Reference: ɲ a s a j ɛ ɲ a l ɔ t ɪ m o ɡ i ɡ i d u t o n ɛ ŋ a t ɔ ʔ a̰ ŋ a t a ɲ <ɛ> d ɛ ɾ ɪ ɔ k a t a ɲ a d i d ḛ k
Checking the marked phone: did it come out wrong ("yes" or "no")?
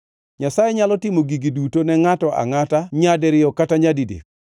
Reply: yes